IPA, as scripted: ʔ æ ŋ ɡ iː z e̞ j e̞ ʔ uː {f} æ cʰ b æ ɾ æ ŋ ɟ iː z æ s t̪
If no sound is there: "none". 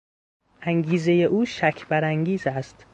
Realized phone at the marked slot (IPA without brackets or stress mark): ʃ